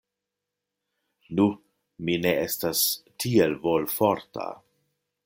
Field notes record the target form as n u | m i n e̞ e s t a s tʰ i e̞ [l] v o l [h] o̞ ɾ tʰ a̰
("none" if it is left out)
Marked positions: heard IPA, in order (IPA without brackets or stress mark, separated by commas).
l, f